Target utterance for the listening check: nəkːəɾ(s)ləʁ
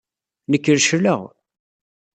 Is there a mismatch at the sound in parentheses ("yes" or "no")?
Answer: yes